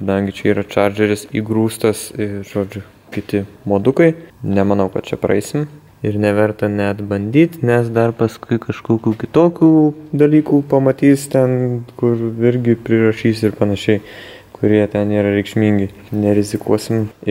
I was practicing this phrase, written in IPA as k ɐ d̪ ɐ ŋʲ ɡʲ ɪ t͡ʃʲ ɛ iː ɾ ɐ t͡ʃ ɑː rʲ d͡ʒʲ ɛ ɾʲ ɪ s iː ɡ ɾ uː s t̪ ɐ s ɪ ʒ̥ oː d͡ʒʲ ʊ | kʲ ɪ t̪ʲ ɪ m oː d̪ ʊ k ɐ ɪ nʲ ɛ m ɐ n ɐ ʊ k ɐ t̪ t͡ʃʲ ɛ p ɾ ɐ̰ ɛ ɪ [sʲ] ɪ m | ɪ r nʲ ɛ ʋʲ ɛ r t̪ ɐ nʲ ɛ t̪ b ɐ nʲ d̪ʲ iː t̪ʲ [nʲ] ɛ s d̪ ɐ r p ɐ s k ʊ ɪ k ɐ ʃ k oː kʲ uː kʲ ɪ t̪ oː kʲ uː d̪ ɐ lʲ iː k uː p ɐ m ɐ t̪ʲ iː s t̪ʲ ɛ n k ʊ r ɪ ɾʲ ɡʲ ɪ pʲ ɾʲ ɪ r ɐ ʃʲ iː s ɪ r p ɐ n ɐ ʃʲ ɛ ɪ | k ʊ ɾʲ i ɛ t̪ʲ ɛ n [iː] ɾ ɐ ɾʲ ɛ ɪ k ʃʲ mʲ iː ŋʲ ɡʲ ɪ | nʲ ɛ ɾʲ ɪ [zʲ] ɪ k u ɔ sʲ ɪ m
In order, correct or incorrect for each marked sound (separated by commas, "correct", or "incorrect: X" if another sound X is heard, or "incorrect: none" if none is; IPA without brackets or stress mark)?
correct, correct, correct, correct